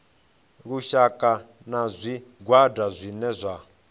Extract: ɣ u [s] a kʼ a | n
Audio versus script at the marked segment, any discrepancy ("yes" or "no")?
yes